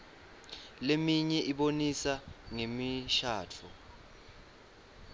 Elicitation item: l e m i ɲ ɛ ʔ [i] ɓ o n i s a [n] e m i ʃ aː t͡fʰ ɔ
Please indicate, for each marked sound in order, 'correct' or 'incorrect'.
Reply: correct, incorrect: ŋ

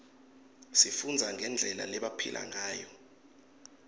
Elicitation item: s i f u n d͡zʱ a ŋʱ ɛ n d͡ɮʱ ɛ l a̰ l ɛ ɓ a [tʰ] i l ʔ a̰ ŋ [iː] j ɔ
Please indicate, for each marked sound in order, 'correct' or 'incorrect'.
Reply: incorrect: pʰ, incorrect: aː

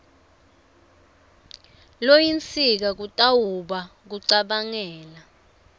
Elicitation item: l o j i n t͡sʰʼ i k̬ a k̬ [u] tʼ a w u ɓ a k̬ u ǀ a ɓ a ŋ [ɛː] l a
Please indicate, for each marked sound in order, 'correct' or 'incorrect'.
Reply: correct, correct

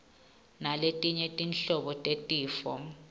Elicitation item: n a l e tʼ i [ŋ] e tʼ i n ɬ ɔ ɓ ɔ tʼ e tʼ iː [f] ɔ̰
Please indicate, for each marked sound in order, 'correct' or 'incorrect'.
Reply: incorrect: ɲ, correct

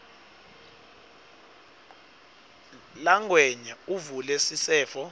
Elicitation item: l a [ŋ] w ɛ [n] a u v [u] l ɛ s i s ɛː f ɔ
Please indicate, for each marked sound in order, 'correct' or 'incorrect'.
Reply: correct, incorrect: ɲ, correct

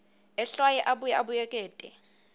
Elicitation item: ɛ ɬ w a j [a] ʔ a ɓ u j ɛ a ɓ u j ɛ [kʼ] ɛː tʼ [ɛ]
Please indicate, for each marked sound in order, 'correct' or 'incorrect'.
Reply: incorrect: ɛ, correct, correct

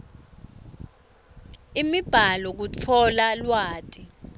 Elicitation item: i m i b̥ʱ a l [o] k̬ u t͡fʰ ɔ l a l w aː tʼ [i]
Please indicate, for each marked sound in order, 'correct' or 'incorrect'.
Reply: incorrect: ɔ, correct

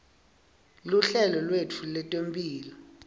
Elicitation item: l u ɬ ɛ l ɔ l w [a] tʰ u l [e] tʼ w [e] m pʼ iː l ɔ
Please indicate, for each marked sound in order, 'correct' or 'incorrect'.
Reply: incorrect: e, incorrect: ɛ, correct

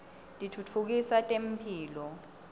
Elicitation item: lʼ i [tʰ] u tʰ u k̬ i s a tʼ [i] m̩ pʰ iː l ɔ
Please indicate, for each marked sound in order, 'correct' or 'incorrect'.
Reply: correct, incorrect: e

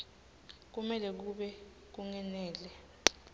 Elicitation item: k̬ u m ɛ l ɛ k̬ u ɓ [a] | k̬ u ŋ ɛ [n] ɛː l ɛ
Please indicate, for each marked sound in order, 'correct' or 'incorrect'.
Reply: incorrect: ɛ, correct

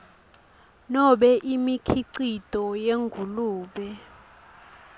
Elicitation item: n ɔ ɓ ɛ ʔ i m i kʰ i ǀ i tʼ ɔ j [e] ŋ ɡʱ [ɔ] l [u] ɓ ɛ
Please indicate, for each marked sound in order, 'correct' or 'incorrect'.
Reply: correct, incorrect: u, incorrect: uː

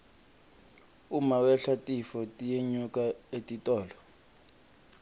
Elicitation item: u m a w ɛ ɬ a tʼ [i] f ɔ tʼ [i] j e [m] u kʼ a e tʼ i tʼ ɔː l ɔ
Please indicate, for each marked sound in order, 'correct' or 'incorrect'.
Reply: correct, correct, incorrect: ɲ

